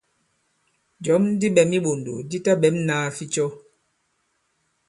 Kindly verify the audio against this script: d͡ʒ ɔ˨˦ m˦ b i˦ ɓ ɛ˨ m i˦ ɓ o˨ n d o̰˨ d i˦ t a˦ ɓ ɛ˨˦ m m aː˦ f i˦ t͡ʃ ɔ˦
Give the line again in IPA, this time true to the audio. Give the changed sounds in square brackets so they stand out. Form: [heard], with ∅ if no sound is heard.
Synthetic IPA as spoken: d͡ʒ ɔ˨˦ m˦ [d] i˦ ɓ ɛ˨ m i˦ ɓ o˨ n d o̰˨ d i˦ t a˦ ɓ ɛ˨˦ m [n] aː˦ f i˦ t͡ʃ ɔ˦